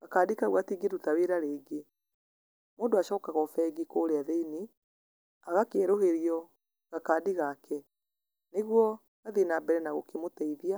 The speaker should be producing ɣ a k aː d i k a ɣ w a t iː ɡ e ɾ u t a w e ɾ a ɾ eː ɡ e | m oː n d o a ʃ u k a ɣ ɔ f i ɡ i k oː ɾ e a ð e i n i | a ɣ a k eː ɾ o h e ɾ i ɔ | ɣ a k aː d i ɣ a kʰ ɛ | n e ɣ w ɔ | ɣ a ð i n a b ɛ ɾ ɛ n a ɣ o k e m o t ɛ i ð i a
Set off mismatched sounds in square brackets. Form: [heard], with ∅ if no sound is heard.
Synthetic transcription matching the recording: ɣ a k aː d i k a ɣ w a t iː ɡ e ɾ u t a w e ɾ a ɾ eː ɡ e | m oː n d o a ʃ [ɔ] k a ɣ ɔ f [ɛ] ɡ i k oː ɾ e a ð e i n i | a ɣ a k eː ɾ o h e ɾ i ɔ | ɣ a k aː d i ɣ a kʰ ɛ | n e ɣ w ɔ | ɣ a ð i n a b ɛ ɾ ɛ n a ɣ o k e m o t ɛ i ð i a